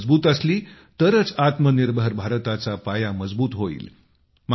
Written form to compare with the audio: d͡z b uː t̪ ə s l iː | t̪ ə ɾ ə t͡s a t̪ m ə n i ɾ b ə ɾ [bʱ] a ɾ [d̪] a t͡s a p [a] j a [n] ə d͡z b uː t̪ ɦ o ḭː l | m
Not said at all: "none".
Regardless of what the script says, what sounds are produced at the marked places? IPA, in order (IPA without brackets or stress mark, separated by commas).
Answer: bʱ, t̪, a, m